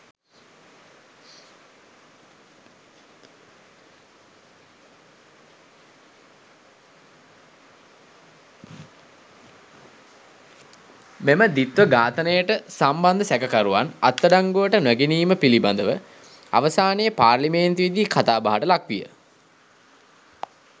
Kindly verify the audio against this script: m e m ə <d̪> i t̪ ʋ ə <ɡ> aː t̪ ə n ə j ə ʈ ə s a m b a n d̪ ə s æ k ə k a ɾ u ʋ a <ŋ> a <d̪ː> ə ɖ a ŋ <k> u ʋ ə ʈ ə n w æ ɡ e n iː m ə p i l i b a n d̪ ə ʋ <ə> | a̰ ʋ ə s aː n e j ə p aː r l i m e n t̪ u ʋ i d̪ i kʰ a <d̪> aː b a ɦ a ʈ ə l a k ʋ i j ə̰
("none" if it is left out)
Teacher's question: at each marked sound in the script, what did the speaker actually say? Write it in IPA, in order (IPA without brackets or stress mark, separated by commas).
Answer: d̪, ɡ, n, t̪ː, ɡ, ə, t̪